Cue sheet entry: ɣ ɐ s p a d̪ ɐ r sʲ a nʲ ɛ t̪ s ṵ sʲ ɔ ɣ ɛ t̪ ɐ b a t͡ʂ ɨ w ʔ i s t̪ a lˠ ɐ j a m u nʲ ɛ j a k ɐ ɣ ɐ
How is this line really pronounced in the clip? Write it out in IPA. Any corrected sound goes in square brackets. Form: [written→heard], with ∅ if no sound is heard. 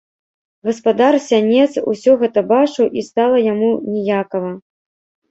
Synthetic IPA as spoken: ɣ ɐ s p a d̪ [ɐ→a] r sʲ a nʲ ɛ t̪ s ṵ sʲ ɔ ɣ ɛ t̪ ɐ b a t͡ʂ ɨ w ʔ i s t̪ a lˠ ɐ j a m u nʲ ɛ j a k ɐ [ɣ→v] ɐ